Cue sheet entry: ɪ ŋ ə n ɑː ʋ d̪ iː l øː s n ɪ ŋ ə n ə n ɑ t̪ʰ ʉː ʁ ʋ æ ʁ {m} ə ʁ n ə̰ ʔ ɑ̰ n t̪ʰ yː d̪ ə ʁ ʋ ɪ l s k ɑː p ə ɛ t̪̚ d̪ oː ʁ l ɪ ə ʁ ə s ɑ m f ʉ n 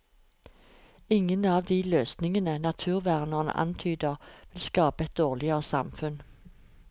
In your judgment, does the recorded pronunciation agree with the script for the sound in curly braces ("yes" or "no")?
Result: no